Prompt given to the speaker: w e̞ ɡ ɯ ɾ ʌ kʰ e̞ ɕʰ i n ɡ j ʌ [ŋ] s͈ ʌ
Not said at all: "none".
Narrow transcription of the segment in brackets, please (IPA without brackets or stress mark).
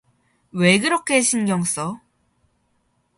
ŋ